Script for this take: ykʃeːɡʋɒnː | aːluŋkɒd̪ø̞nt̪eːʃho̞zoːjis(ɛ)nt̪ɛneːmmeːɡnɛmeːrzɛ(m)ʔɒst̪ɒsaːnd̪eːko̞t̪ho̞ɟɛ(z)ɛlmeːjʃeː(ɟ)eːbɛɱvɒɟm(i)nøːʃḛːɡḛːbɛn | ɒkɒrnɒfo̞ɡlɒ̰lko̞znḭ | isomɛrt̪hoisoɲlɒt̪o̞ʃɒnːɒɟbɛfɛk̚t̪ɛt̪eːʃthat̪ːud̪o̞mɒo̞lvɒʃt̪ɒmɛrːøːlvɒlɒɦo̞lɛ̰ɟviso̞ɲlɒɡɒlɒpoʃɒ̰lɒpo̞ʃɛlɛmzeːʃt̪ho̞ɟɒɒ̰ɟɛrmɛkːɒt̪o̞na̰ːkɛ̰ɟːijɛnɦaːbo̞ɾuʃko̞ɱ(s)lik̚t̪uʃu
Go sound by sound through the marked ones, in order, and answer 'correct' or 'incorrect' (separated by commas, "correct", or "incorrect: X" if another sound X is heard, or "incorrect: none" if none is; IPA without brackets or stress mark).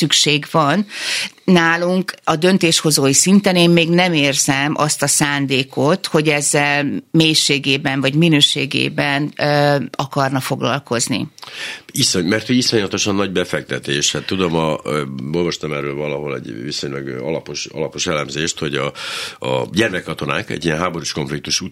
incorrect: i, correct, incorrect: zː, incorrect: ɡ, correct, incorrect: f